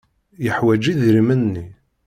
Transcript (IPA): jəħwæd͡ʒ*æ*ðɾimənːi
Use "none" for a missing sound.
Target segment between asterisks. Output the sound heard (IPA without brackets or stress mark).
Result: i